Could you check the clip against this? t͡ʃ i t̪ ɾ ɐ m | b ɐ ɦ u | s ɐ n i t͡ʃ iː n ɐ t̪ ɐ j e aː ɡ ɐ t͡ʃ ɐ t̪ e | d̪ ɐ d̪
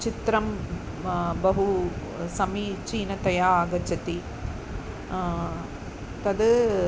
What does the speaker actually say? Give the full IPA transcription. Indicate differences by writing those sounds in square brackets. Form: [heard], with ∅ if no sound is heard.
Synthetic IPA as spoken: t͡ʃ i t̪ ɾ ɐ m | b ɐ ɦ u | s ɐ [m] i t͡ʃ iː n ɐ t̪ ɐ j [a] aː ɡ ɐ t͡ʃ ɐ t̪ [i] | [t̪] ɐ d̪